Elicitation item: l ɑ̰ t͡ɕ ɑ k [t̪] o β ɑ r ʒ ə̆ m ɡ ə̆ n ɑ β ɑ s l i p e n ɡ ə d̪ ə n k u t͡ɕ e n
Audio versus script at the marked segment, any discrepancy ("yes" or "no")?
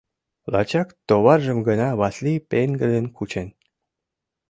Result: no